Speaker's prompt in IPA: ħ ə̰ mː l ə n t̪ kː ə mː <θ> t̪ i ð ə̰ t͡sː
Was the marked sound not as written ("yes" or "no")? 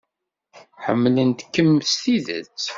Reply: yes